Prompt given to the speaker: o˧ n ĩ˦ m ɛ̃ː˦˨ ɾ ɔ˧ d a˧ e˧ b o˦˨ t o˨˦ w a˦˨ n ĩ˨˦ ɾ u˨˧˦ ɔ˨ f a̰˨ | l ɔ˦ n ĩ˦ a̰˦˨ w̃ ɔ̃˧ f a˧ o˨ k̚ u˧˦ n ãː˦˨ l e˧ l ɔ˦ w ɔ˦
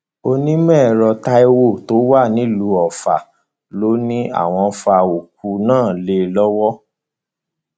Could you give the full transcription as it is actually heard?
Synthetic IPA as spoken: o˧ n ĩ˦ m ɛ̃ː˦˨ ɾ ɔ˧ t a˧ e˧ w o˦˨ t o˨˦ w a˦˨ n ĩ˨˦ l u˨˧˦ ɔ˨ f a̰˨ | l o˦ n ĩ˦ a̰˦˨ w̃ ɔ̃˧ f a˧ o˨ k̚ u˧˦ n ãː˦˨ l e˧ l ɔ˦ w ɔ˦